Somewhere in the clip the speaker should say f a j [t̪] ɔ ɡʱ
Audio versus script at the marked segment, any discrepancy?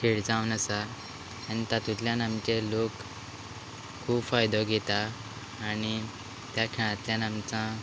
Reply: yes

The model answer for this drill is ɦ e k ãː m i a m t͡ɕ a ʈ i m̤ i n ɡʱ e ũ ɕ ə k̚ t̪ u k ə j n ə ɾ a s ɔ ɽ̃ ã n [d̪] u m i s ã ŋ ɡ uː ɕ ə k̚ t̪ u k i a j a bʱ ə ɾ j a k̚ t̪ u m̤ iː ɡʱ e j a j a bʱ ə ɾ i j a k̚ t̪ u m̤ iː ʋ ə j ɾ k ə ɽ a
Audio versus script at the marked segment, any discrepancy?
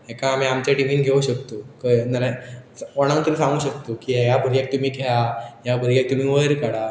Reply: yes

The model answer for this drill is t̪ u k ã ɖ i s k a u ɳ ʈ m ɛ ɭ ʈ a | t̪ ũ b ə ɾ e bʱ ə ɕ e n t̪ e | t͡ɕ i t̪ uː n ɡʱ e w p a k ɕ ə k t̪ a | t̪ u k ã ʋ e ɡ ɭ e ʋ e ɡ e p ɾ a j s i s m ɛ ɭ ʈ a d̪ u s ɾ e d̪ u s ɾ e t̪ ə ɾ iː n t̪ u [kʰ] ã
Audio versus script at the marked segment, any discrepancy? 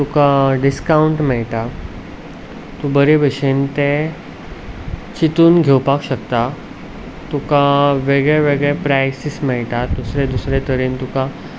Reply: yes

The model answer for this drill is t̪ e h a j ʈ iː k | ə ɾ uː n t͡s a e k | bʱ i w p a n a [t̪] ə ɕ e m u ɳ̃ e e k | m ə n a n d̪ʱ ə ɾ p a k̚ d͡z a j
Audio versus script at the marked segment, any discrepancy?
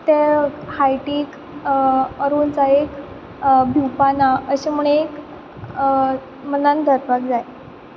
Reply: yes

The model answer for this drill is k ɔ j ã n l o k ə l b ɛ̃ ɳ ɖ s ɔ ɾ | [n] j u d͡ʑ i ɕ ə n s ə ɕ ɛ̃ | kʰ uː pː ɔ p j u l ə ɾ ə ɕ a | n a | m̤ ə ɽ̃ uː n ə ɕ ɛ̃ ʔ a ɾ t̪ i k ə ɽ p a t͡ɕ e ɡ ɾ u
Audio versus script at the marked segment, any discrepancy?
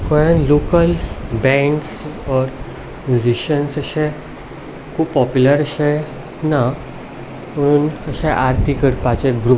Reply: yes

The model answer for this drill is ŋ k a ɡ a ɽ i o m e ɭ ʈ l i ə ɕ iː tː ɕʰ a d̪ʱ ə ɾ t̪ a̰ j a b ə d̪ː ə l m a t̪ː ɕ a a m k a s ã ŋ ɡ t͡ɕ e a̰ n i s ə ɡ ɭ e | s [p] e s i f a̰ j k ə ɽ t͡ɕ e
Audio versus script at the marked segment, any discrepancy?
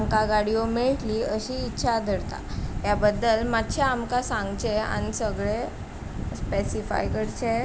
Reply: no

